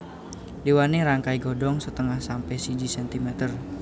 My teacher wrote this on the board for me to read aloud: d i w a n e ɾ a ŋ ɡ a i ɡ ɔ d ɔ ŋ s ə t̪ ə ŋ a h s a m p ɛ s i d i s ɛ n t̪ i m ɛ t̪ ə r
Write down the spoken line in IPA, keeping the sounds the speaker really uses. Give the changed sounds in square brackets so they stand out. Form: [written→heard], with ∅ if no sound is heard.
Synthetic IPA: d i w a n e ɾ a ŋ [ɡ→k] a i ɡ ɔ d ɔ ŋ s ə t̪ ə ŋ a h s a m p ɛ s i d i s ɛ n t̪ i m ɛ t̪ ə r